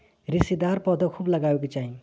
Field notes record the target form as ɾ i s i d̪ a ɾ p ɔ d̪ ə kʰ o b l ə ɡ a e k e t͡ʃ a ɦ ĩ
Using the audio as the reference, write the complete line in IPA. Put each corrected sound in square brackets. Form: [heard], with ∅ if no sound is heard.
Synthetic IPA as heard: ɾ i s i d̪ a ɾ p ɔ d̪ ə kʰ [u] b l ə ɡ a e k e t͡ʃ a ɦ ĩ